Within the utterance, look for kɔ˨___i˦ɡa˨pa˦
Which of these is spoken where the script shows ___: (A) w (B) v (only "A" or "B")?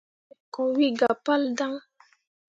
A